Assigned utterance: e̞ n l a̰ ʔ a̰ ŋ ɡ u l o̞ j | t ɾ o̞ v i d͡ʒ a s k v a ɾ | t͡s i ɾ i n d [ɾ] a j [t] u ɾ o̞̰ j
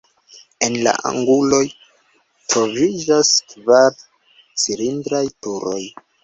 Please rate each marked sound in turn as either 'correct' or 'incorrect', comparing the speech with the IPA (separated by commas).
correct, correct